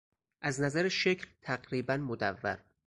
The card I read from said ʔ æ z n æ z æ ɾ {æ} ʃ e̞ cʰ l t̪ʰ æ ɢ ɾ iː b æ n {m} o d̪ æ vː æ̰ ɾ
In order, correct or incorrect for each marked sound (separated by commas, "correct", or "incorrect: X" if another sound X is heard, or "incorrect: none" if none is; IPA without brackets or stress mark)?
incorrect: e, correct